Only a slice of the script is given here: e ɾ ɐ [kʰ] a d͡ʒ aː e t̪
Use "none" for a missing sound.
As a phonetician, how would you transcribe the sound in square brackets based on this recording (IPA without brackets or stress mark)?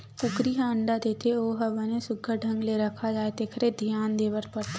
kʰ